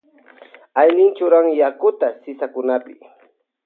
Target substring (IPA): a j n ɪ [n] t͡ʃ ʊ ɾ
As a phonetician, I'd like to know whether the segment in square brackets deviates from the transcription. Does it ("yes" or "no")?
no